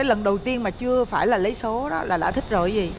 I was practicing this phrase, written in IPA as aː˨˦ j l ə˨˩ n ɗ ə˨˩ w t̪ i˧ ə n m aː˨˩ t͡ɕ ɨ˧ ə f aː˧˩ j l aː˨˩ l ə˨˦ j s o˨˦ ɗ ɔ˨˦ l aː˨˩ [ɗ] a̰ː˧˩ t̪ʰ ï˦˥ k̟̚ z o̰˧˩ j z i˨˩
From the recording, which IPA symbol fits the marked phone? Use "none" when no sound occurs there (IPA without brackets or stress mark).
ɗ